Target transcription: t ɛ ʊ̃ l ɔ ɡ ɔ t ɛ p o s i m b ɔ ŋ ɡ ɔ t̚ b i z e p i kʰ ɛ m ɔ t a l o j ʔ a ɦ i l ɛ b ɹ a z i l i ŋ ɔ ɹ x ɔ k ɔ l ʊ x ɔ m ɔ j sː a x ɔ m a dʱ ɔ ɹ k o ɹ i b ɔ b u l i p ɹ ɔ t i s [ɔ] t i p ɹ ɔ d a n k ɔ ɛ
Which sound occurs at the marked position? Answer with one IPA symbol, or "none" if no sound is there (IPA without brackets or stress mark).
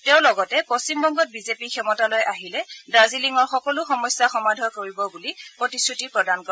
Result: u